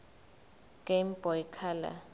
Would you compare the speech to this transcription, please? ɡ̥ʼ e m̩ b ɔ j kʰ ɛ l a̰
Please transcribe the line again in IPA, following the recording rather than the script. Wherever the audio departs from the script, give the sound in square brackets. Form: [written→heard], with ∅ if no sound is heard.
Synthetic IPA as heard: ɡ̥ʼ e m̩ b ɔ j kʰ [ɛ→a] l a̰

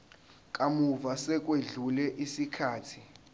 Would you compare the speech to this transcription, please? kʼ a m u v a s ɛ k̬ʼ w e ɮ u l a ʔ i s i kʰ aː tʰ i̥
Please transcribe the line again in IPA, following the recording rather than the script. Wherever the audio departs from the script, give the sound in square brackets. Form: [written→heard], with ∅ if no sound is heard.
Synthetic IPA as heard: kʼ a m u v a s ɛ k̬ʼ w e ɮ u l [a→ɛ] ʔ i s i kʰ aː tʰ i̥

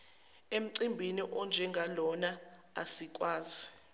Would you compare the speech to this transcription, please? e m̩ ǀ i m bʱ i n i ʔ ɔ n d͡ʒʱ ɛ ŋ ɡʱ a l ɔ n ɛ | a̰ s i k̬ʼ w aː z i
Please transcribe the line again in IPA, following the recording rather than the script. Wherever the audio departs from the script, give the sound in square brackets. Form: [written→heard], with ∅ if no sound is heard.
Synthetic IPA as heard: e m̩ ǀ i m bʱ i n i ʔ ɔ n d͡ʒʱ ɛ ŋ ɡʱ a l ɔ n [ɛ→a] | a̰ s i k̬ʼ w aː z i

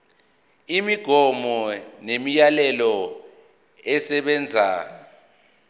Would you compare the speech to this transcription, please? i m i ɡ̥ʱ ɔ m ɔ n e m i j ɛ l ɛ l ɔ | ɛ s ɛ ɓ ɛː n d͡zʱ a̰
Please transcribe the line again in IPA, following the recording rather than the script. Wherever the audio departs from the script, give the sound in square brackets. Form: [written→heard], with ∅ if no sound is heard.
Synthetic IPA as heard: i m i ɡ̥ʱ ɔ m ɔ n e m i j [ɛ→a] l ɛ l ɔ | ɛ s ɛ ɓ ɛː n d͡zʱ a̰

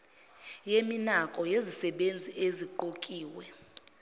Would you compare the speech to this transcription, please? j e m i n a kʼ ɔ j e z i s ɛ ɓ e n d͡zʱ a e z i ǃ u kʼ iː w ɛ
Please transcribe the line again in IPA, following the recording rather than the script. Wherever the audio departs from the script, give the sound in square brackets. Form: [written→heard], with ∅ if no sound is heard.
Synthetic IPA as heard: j e m i n a kʼ ɔ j e z i s ɛ ɓ e n d͡zʱ [a→i] e z i ǃ [u→o] kʼ iː w ɛ

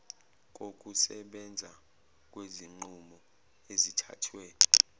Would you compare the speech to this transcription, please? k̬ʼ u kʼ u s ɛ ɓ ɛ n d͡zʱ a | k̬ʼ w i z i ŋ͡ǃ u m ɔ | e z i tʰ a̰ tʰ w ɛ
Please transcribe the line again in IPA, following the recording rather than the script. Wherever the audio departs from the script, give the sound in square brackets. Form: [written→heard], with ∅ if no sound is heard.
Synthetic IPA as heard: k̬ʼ [u→o] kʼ u s ɛ ɓ ɛ n d͡zʱ a | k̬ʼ w [i→e] z i ŋ͡ǃ u m ɔ | e z i tʰ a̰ tʰ w ɛ

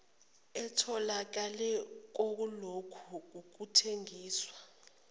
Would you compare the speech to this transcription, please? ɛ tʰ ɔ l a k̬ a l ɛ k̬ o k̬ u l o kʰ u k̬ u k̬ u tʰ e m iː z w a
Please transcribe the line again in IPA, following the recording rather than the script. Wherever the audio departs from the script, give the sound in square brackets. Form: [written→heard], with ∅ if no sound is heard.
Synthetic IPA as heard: ɛ tʰ ɔ l a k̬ a l ɛ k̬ o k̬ u l o kʰ u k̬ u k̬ u tʰ e [m→ŋ] iː [z→s] w a

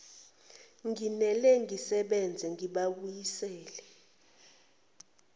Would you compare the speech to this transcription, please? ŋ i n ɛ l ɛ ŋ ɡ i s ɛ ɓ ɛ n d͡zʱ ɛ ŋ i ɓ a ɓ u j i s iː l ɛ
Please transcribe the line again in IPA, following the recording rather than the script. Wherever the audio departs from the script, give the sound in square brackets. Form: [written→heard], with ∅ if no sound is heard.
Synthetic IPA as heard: ŋ i n ɛ l ɛ ŋ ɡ i s ɛ ɓ ɛ n d͡zʱ ɛ ŋ i ɓ a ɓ u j i s [iː→ɛː] l ɛ

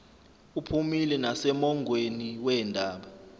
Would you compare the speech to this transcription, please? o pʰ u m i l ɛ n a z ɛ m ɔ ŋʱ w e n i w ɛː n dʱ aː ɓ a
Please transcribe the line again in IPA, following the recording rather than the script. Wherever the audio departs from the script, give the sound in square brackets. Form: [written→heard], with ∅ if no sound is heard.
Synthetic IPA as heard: [o→u] pʰ u m i l ɛ n a [z→s] ɛ m ɔ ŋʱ w e n i w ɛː n dʱ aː ɓ a

